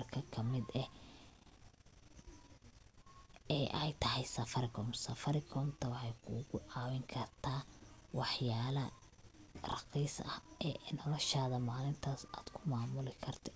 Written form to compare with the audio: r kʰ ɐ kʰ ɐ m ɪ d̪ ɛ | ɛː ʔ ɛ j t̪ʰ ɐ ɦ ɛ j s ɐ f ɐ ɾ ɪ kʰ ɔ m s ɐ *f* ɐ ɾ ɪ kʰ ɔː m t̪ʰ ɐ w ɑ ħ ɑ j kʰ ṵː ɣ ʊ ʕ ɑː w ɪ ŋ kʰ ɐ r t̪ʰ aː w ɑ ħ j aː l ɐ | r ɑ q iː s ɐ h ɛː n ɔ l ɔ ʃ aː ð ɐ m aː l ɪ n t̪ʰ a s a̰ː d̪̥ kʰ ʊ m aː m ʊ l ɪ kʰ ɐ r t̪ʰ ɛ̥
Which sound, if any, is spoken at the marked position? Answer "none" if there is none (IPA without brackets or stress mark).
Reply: f